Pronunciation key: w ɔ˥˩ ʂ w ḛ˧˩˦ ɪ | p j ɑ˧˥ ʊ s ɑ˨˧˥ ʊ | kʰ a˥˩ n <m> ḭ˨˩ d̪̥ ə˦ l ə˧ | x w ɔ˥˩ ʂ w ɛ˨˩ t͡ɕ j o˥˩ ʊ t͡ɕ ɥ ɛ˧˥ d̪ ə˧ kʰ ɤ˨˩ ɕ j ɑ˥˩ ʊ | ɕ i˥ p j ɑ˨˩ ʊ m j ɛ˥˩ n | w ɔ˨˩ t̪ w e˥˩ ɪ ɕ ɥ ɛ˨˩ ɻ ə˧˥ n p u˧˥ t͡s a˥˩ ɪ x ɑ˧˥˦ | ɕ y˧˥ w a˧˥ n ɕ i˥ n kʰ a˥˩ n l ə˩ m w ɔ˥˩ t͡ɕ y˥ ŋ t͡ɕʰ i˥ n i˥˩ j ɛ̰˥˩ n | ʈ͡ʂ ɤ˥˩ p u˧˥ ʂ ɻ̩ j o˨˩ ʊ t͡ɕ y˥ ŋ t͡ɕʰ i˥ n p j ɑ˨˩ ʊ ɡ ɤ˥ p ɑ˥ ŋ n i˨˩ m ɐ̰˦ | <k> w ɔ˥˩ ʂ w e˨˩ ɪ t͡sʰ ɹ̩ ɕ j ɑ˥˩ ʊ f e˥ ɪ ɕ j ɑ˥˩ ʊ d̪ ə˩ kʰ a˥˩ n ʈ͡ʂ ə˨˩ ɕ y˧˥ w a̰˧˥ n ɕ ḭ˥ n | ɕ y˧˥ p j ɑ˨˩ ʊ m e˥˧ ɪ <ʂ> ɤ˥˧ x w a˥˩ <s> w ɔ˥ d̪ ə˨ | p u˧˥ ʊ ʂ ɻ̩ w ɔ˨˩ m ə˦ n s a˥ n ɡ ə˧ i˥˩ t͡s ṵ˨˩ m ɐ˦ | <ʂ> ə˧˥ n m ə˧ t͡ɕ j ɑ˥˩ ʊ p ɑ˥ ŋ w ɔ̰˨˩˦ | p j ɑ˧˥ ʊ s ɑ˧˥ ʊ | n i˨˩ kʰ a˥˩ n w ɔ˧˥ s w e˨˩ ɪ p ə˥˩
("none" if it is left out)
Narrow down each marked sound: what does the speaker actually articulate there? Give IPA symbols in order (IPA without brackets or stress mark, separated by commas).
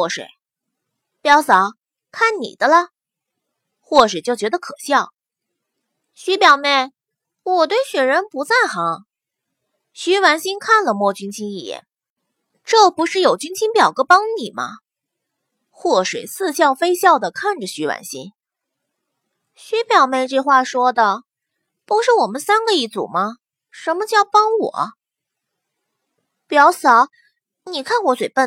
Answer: n, x, ʈ͡ʂ, ʂ, ʂ